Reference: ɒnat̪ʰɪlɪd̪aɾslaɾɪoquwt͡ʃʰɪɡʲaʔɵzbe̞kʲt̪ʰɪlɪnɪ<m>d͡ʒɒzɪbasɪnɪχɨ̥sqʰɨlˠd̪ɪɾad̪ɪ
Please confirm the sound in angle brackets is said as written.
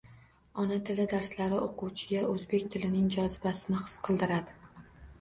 no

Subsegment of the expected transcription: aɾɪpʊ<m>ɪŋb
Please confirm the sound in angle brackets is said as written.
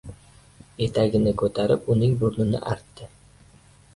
no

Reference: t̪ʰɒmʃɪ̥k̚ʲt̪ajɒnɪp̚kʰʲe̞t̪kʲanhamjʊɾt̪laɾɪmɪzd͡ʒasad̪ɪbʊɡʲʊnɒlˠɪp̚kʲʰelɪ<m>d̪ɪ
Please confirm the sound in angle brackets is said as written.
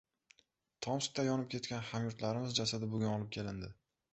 no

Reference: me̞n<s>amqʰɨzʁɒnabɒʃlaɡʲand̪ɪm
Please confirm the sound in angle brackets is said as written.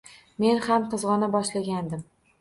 no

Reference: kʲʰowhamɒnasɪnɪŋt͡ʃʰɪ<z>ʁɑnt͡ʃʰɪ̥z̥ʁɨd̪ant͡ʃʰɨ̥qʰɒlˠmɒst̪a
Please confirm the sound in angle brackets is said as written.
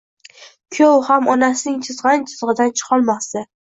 yes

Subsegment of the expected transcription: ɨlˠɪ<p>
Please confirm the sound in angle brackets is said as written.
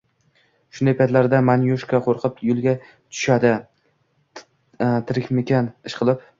yes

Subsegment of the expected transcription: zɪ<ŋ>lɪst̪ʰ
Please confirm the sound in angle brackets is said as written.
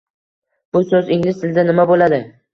yes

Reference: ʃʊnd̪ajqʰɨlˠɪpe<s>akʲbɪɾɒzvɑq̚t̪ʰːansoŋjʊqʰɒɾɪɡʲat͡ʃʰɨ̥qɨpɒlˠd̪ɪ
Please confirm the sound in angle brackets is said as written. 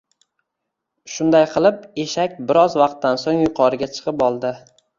no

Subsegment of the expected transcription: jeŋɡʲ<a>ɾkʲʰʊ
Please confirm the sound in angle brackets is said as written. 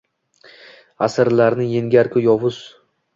yes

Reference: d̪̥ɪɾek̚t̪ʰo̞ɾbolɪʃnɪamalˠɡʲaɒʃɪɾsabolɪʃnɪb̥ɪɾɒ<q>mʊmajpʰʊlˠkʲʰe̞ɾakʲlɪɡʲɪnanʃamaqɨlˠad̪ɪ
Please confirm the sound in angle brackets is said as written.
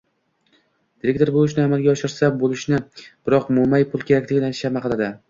yes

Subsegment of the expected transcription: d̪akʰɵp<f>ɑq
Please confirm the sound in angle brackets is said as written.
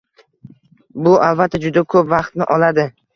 no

